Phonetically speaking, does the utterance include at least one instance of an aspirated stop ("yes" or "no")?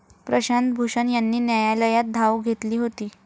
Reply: no